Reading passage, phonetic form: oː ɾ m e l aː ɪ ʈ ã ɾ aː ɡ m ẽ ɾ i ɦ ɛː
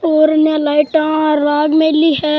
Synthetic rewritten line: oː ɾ n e l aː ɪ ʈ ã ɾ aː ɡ m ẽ l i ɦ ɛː

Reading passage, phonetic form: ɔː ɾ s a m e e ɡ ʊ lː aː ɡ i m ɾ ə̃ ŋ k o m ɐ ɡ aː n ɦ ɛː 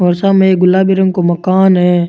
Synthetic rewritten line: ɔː ɾ s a m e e ɡ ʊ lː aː b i ɾ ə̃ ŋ k o m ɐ k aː n ɦ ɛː

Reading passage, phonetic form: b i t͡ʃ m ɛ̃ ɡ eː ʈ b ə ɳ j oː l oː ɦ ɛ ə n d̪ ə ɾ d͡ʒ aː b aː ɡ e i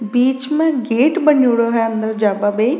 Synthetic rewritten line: b iː t͡ʃ m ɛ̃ ɡ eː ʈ b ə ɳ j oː ɽ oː ɦ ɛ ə n d̪ ə ɾ d͡ʒ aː b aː b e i

